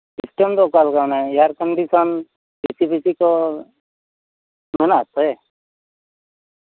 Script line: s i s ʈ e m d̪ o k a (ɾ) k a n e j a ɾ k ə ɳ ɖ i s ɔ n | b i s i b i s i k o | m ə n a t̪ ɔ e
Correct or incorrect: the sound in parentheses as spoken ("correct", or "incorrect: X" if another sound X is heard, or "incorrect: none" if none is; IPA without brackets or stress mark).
incorrect: l